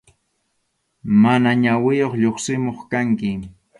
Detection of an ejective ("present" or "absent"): absent